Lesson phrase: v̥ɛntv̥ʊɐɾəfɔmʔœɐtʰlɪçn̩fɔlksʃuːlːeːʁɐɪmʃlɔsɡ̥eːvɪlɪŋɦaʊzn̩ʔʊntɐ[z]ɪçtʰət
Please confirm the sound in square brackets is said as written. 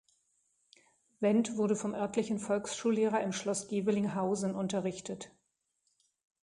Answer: no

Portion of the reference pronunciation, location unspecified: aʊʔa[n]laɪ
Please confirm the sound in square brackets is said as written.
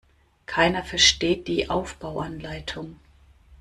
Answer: yes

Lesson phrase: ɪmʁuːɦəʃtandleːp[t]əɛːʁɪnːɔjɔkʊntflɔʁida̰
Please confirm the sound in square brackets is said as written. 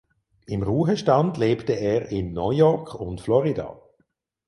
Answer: yes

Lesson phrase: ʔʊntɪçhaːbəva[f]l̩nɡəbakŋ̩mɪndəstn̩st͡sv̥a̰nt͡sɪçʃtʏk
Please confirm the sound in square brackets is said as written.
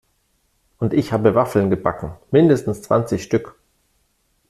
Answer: yes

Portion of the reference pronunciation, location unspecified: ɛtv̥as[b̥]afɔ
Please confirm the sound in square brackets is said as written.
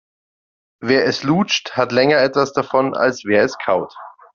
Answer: no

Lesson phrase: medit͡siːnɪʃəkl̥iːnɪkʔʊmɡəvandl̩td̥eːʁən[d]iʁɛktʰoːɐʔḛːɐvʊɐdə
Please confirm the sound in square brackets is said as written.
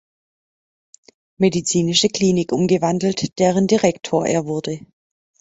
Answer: yes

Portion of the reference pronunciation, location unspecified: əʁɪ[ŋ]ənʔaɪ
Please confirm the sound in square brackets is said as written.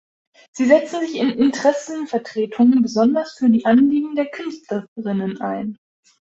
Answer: no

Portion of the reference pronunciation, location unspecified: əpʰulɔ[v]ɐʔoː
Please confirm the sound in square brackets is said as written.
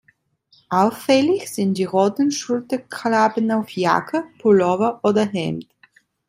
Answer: yes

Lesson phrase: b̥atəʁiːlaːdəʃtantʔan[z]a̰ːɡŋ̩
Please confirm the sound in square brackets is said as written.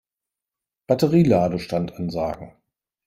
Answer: yes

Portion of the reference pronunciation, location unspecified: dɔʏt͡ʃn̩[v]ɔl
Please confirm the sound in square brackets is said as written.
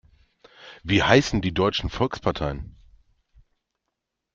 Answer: no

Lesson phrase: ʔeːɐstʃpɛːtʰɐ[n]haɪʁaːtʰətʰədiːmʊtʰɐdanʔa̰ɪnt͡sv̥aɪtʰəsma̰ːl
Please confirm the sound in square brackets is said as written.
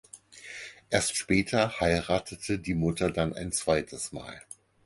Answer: no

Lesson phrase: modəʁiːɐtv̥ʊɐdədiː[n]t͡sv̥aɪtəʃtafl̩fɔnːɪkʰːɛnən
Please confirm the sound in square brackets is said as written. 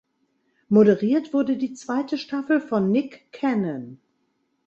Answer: no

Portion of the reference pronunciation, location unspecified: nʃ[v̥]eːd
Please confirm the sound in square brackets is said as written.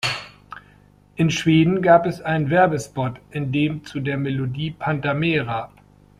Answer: yes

